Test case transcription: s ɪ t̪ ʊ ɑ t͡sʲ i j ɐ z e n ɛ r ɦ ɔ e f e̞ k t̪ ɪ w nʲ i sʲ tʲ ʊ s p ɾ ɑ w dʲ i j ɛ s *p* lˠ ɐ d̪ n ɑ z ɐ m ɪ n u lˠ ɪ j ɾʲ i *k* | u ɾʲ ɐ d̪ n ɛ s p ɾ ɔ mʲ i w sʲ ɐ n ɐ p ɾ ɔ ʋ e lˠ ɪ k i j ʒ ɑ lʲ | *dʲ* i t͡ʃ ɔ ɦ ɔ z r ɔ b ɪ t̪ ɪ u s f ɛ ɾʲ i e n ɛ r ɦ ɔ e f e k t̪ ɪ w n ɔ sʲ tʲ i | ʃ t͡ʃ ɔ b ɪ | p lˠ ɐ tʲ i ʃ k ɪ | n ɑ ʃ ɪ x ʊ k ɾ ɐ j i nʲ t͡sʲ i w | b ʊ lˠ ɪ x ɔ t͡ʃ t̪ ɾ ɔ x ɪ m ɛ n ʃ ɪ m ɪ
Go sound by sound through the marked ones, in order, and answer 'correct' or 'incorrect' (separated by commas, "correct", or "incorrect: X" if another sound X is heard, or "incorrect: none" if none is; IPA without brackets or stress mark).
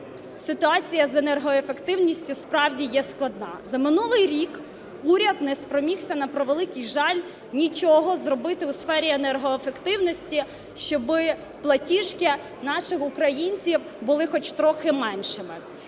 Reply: incorrect: k, correct, incorrect: nʲ